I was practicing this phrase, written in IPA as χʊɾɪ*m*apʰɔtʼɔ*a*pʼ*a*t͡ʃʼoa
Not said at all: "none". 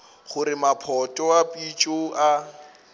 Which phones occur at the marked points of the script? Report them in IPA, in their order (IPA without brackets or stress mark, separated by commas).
m, a, i